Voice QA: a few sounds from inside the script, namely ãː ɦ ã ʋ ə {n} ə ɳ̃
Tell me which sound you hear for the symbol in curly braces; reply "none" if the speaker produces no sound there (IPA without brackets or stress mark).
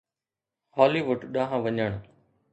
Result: ɲ